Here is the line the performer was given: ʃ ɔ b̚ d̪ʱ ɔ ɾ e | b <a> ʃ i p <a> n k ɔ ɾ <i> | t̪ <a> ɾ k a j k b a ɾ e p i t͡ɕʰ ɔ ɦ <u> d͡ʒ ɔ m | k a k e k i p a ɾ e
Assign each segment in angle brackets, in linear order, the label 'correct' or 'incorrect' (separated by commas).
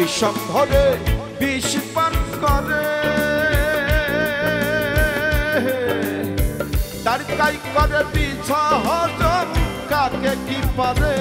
incorrect, correct, incorrect, correct, incorrect